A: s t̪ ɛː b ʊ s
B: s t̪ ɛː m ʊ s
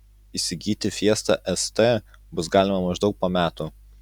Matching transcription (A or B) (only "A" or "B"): A